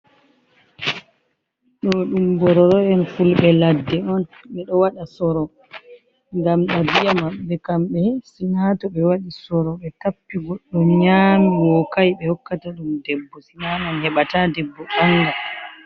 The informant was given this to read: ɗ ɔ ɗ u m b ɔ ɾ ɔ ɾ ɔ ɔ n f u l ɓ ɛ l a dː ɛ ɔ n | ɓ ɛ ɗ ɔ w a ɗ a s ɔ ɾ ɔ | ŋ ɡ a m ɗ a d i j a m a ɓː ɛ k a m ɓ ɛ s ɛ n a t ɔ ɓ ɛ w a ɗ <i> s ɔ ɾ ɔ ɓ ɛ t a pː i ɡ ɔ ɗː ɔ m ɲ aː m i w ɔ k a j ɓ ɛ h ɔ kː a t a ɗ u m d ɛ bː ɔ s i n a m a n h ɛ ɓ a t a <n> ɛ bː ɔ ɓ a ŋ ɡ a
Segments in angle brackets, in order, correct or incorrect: correct, incorrect: d

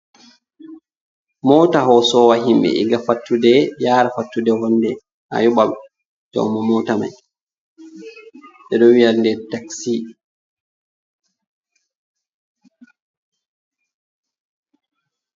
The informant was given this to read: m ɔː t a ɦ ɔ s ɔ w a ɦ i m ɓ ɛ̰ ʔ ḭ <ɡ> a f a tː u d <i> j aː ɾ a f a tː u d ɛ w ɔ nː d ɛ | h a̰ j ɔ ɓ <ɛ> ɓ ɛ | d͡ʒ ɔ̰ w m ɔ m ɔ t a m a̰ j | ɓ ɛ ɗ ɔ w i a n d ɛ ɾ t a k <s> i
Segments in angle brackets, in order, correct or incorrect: correct, incorrect: ɛ, incorrect: a, correct

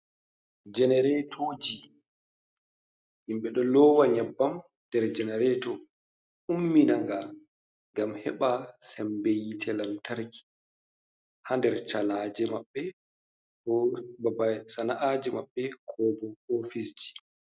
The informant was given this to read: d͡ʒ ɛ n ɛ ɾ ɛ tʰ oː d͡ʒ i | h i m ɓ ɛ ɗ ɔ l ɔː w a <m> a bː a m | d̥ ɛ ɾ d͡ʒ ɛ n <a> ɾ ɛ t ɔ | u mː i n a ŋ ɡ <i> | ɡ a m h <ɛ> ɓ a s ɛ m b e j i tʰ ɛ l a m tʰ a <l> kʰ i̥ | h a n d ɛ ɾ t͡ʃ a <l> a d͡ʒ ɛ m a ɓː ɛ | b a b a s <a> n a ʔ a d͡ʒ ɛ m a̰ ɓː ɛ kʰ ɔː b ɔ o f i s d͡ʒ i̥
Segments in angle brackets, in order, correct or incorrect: incorrect: ɲ, incorrect: ɛ, incorrect: a, correct, incorrect: ɾ, correct, correct

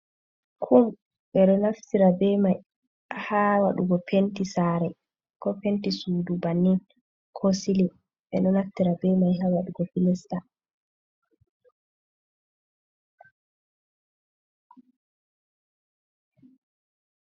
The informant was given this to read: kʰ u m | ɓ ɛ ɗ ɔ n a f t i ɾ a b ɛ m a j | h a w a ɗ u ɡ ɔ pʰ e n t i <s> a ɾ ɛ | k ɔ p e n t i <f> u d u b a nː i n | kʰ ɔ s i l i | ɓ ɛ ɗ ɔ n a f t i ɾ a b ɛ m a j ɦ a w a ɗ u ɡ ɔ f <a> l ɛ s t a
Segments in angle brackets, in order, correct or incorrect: correct, incorrect: s, incorrect: i

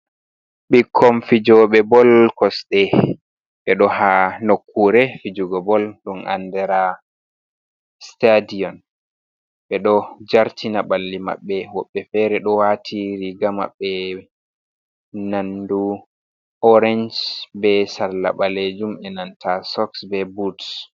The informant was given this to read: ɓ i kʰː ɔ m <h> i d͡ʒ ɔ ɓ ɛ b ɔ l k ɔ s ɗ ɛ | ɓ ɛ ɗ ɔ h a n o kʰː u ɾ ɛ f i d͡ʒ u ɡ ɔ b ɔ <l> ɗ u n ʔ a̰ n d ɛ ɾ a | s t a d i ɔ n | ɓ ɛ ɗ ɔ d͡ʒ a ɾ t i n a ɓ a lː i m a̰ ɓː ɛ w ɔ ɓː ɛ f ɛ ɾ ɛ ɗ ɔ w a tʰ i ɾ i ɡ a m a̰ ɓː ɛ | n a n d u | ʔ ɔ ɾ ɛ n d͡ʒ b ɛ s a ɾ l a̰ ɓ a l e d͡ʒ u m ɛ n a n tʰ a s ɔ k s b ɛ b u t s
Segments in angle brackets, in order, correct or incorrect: incorrect: f, correct

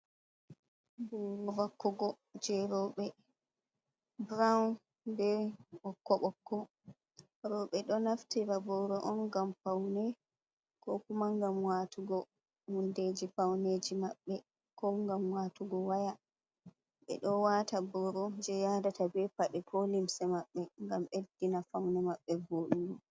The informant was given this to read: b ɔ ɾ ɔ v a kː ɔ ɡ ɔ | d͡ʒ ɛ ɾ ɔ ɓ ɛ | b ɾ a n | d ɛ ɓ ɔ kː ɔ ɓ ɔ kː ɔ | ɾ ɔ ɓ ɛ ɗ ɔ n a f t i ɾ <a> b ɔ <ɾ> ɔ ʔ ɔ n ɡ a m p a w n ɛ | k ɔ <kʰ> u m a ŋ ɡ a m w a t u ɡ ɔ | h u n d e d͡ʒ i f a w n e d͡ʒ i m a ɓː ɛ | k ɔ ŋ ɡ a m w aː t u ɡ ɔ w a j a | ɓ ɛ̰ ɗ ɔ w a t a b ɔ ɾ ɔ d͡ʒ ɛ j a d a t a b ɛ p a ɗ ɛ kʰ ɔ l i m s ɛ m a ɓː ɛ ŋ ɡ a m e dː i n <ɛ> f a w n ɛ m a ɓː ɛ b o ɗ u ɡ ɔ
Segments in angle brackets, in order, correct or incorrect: correct, correct, incorrect: k, incorrect: a

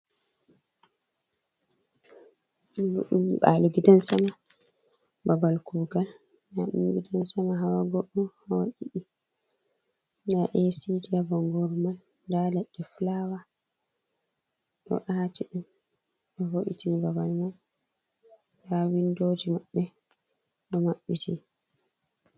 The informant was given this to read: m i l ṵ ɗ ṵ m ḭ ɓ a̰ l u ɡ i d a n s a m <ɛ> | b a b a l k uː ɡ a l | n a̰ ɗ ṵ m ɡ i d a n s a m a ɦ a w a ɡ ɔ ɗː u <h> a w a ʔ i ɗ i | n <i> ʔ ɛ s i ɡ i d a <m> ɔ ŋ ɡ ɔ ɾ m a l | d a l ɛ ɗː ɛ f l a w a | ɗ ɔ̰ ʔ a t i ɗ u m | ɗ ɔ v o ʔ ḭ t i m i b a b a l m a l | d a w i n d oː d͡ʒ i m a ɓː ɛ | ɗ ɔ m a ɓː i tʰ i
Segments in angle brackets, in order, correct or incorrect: incorrect: a, correct, incorrect: a, incorrect: b

